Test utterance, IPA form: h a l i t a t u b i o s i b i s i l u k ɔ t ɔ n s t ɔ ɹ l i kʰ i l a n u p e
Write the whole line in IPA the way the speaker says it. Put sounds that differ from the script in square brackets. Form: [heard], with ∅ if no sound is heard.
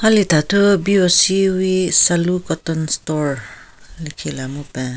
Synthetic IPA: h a l i t a t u b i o s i [w] i s [a] l u k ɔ t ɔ n s t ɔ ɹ l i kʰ i l a [m] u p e